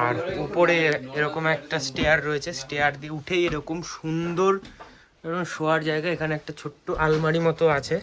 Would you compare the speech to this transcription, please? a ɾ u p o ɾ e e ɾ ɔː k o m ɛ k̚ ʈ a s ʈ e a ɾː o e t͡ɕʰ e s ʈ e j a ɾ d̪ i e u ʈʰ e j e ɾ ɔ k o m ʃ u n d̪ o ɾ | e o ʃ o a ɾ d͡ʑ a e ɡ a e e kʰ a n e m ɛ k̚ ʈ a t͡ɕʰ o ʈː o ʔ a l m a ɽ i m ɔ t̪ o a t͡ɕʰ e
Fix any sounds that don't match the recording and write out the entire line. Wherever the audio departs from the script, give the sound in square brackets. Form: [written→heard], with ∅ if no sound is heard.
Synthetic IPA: a ɾ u p o ɾ e e ɾ [ɔː→ɔ] k o m ɛ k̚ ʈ a s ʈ e a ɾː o e t͡ɕʰ e s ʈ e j a ɾ d̪ i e u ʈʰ e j e ɾ ɔ k o m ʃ u n d̪ o ɾ | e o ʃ o a ɾ d͡ʑ a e ɡ a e e kʰ a n e [m→∅] ɛ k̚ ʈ a t͡ɕʰ o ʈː o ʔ a l m a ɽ i m ɔ t̪ o a t͡ɕʰ e